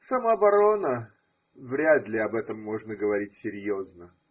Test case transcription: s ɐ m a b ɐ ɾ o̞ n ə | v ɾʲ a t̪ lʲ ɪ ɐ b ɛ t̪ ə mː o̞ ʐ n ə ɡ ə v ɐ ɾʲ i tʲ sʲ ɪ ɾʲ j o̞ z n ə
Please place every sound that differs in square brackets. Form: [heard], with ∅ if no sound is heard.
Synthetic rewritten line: s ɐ m a b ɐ ɾ o̞ n ə | v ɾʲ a [d̪] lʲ ɪ ɐ b ɛ t̪ ə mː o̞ ʐ n ə ɡ ə v ɐ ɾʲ i tʲ sʲ ɪ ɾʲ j o̞ z n ə